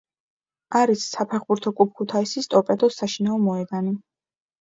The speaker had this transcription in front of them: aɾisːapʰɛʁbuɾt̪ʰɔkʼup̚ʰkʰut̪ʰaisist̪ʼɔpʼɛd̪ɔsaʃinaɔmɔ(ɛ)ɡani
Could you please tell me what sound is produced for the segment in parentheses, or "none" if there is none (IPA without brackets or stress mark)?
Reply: ɛ